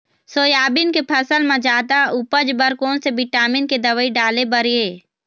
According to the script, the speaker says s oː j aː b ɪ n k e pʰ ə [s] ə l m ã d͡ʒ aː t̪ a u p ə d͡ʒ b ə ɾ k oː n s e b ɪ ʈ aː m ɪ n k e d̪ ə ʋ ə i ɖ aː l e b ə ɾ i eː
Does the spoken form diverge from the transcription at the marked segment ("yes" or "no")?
no